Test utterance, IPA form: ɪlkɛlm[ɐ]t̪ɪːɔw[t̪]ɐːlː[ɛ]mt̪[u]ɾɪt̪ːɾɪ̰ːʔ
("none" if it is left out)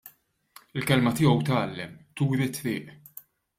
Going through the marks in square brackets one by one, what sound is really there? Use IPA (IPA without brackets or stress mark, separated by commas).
ɐ, t̪, ɛ, uː